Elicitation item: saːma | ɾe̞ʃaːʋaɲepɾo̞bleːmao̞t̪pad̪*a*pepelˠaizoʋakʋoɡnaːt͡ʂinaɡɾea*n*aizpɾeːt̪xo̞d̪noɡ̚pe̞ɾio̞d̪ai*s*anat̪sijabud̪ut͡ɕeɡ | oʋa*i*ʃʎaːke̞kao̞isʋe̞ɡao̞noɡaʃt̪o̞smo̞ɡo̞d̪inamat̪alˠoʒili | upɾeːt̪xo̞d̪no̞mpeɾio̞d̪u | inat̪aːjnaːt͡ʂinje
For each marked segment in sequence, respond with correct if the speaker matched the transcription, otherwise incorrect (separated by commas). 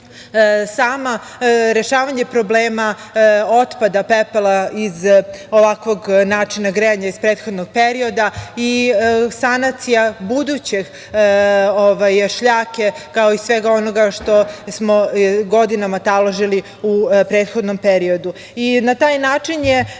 correct, incorrect, correct, incorrect